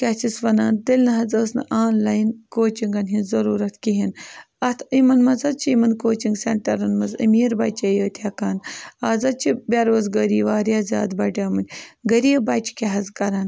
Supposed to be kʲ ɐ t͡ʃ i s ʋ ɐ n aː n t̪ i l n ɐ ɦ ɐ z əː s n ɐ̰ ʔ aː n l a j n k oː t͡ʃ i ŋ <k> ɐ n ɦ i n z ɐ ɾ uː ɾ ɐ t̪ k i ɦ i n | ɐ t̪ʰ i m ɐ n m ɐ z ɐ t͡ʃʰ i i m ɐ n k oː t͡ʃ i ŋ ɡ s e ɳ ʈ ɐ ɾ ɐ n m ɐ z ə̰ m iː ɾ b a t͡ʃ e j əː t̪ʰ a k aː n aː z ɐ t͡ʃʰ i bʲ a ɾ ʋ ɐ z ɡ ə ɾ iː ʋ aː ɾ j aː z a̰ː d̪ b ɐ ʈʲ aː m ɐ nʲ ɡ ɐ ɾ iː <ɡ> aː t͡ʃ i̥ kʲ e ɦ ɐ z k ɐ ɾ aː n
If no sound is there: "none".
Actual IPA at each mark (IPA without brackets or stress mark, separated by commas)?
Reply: ɡ, b